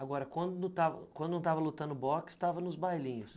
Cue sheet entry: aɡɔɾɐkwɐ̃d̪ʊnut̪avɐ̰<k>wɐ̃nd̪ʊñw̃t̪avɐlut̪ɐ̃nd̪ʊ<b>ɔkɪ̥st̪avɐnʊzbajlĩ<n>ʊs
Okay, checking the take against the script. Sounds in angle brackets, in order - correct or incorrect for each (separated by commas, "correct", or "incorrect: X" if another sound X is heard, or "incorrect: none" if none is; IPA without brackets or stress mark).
correct, correct, incorrect: ɲ